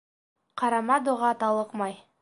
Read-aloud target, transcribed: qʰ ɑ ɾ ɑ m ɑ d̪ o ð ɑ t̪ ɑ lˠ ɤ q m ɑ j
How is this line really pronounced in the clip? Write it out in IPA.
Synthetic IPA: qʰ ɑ ɾ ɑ m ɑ d̪ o ʁ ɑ t̪ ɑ lˠ ɤ q m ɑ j